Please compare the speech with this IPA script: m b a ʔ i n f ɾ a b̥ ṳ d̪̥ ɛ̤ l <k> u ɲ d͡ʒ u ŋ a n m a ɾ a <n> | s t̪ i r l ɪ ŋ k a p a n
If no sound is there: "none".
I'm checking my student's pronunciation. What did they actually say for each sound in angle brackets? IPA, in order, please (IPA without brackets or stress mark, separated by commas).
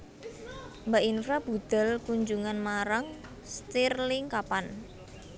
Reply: k, ŋ